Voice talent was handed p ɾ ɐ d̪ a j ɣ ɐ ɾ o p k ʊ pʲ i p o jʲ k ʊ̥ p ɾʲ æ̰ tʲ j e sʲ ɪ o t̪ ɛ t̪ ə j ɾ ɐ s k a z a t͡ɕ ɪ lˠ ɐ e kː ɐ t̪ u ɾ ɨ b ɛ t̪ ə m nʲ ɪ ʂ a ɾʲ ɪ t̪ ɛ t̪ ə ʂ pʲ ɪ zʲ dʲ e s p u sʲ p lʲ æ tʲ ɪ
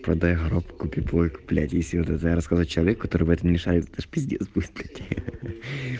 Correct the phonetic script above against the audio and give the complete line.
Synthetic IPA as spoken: p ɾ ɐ d̪ a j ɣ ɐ ɾ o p k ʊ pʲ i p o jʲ k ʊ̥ p lʲ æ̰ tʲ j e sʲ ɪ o t̪ ɛ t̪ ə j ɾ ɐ s k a z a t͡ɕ ɪ lˠ ɐ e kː ɐ t̪ o ɾ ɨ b ɛ t̪ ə m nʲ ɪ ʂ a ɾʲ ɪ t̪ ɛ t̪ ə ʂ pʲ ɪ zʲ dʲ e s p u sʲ p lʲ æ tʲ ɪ